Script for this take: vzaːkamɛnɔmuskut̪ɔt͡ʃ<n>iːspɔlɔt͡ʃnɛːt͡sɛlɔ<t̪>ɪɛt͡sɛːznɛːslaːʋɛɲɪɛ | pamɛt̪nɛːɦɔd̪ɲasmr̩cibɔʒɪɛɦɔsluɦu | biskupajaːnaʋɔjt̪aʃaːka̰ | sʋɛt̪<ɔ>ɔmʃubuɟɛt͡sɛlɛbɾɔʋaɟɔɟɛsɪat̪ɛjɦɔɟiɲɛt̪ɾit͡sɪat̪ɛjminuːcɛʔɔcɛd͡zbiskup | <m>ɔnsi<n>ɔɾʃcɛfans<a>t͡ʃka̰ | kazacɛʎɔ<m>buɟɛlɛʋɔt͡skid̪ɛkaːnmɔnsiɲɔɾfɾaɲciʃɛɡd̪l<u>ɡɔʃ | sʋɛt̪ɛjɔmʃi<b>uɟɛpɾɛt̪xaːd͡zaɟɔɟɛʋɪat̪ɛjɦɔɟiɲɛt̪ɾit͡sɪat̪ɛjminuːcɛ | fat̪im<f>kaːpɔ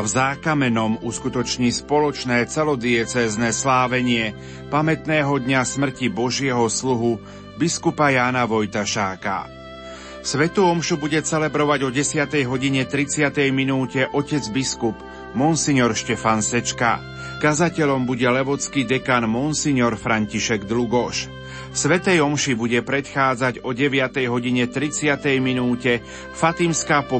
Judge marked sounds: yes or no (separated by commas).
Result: no, no, no, yes, no, no, yes, yes, yes, no